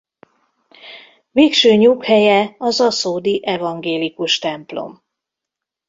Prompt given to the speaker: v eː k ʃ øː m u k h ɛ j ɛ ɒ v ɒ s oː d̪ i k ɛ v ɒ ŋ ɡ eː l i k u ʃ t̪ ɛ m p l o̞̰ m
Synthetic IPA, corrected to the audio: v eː k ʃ øː ɲ u k h ɛ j ɛ ɒ z ɒ s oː d̪ i ʔ ɛ v ɒ ŋ ɡ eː l i k u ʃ t̪ ɛ m p l o̞̰ m